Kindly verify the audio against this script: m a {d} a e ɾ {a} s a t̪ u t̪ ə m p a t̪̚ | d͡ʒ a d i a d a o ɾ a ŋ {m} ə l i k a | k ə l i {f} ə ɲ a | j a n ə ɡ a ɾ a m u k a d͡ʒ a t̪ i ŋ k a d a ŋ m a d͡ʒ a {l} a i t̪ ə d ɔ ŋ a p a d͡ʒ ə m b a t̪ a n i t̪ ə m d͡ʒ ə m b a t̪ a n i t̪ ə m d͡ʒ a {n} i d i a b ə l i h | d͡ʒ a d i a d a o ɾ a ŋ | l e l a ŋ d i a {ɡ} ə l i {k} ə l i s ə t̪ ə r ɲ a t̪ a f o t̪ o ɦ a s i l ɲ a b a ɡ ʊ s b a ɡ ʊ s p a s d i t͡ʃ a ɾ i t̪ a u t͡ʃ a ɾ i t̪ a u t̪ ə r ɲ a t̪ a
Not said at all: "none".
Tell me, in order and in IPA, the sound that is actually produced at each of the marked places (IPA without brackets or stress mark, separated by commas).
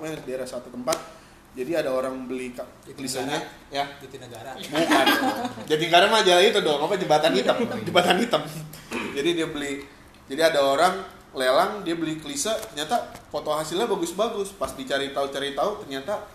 d, a, b, s, l, d, b, k